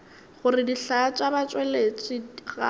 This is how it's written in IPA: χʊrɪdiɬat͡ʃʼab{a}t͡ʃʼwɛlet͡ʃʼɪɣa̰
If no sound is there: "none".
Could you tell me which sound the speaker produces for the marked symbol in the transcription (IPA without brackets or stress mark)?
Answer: a